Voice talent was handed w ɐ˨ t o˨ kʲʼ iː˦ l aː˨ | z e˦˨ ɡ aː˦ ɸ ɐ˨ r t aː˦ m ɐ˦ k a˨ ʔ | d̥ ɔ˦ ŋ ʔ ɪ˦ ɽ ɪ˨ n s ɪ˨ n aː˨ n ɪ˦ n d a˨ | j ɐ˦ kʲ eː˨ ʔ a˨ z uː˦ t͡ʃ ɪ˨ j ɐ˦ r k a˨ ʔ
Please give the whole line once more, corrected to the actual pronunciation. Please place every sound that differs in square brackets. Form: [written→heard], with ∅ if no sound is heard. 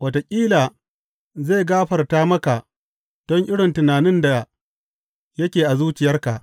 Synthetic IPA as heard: w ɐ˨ t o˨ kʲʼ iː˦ l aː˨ | z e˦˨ ɡ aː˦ ɸ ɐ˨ r t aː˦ m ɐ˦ k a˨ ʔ | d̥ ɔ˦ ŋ ʔ ɪ˦ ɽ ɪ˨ n [s→t] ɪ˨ n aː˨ n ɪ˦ n d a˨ | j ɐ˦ kʲ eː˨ ʔ a˨ z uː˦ t͡ʃ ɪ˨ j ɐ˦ r k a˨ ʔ